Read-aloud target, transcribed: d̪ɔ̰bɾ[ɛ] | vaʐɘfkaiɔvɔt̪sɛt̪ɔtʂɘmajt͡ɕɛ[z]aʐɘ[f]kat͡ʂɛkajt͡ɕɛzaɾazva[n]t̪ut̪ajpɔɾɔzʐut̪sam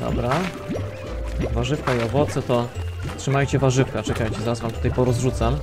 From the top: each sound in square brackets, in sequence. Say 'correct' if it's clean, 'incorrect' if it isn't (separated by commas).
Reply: incorrect, incorrect, correct, incorrect